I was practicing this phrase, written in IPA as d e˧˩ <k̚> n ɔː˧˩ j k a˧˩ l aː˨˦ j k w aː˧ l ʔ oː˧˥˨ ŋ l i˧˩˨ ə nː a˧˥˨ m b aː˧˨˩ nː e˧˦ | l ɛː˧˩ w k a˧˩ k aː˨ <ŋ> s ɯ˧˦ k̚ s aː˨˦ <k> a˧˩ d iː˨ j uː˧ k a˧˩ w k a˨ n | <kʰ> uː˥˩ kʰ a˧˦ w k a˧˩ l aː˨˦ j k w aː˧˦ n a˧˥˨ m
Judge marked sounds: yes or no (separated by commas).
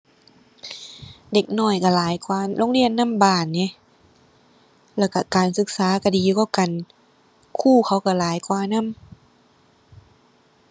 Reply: yes, no, yes, yes